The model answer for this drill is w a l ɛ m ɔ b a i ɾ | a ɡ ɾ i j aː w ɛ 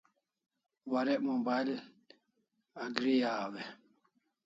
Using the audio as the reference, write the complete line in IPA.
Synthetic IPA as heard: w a ɾ ɛ m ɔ b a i l | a ɡ ɾ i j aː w ɛ